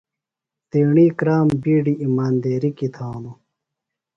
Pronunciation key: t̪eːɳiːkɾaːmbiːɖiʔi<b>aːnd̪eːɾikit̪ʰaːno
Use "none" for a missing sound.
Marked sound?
m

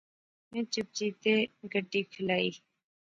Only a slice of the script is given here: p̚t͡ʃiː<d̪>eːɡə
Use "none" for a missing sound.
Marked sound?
t̪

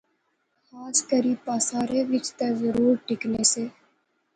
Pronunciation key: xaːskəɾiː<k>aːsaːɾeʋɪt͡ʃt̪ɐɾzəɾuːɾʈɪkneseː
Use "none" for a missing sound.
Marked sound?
p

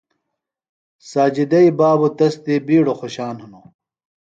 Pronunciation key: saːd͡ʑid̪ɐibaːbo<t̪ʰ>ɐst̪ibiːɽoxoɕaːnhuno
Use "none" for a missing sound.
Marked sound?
t̪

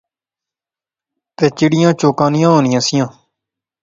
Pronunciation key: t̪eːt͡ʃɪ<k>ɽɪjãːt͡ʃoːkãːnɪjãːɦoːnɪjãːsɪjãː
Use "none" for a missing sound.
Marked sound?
none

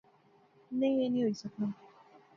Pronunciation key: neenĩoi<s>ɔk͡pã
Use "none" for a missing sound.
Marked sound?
s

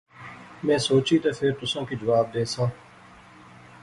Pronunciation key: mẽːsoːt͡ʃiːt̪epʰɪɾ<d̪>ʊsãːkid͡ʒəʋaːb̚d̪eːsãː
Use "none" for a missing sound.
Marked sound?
t̪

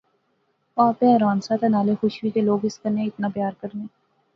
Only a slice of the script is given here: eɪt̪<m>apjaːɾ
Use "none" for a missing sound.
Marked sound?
n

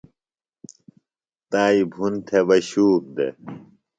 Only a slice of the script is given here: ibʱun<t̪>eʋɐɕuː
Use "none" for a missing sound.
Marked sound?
t̪ʰ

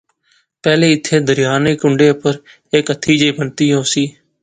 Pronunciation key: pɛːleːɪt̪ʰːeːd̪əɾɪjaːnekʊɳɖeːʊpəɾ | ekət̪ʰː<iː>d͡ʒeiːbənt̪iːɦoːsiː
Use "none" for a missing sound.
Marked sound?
iː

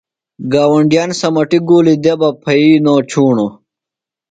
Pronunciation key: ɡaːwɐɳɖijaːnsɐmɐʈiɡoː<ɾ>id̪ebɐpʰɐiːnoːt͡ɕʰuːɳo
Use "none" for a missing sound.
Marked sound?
l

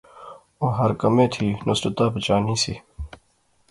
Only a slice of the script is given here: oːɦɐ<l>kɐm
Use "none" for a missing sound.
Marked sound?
ɾ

